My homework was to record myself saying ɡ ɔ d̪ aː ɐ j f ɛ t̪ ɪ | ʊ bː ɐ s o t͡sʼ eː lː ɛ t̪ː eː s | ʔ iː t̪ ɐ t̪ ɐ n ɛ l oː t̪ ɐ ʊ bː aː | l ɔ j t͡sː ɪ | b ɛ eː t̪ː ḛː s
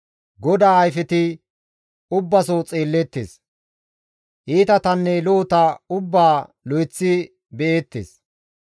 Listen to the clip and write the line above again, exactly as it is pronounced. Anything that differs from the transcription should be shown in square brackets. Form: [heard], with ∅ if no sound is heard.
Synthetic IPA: ɡ ɔ d̪ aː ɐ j f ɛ t̪ ɪ | ʊ bː ɐ s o t͡sʼ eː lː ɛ t̪ː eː s | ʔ iː t̪ ɐ t̪ ɐ [nː] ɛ l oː t̪ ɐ ʊ bː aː | l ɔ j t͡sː ɪ | b ɛ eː t̪ː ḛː s